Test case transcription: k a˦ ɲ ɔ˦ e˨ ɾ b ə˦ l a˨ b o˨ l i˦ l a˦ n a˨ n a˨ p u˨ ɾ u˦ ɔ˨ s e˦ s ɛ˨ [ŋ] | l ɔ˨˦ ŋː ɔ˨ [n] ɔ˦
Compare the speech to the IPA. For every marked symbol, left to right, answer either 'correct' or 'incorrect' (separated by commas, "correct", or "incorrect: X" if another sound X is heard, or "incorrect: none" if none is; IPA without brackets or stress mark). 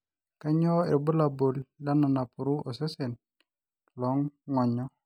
incorrect: n, incorrect: ɲ